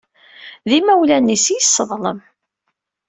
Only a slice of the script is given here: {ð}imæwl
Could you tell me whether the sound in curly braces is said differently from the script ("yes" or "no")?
no